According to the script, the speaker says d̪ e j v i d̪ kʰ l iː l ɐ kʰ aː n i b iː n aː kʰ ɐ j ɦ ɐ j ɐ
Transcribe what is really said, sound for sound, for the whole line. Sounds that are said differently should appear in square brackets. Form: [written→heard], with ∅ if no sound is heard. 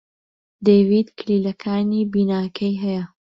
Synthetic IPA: d̪ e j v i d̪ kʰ l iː l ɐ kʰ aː n i b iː n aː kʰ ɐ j ɦ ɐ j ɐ